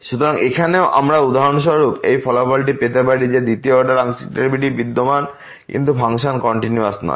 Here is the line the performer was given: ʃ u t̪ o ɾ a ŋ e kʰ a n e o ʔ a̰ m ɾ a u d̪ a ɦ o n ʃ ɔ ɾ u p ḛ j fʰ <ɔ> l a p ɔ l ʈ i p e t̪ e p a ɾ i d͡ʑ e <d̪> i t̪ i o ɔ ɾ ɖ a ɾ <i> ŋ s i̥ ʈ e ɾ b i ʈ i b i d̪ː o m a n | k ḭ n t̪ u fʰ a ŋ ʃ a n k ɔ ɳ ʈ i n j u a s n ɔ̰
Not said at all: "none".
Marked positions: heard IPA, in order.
ɔ, d̪, a

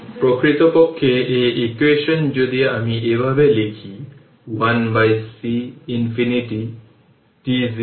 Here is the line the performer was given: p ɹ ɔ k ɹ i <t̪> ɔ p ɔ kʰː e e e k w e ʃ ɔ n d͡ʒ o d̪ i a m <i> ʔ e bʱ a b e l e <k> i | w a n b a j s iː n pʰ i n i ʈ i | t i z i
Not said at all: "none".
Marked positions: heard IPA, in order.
t̪, i, kʰ

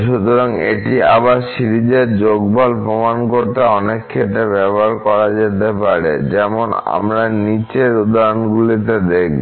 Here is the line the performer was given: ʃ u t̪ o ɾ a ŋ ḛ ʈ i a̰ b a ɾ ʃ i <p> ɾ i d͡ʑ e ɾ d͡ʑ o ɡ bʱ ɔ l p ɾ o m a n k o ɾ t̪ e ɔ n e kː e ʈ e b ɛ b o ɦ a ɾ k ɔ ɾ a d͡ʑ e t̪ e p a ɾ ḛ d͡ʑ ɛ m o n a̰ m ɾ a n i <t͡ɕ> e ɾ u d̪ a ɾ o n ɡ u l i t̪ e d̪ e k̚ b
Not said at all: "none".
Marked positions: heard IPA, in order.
none, t͡ɕ

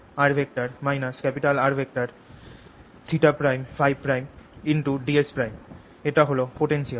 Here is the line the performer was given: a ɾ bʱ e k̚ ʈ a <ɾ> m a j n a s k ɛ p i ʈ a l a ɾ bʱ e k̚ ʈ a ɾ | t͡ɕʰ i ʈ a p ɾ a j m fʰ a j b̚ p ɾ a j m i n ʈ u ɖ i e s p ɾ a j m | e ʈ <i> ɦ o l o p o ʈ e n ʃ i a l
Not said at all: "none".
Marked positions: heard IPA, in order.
ɾ, a

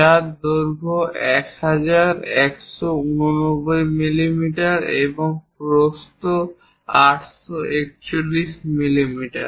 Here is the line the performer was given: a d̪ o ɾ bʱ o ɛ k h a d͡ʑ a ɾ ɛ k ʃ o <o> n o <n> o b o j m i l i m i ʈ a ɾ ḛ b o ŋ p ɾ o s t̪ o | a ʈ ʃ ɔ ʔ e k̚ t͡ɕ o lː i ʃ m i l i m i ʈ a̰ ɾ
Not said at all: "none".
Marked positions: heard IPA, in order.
u, n

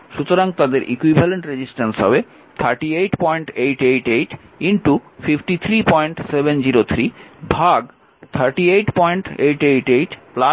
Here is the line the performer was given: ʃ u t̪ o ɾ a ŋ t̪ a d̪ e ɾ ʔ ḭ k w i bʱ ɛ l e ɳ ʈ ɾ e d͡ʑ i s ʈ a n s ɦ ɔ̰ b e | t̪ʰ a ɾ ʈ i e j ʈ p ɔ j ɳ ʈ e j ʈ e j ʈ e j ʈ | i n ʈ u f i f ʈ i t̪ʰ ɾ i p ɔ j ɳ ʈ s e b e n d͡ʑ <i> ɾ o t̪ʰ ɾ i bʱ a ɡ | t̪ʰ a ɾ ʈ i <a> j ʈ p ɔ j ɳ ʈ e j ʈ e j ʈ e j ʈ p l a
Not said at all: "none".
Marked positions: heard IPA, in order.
i, e

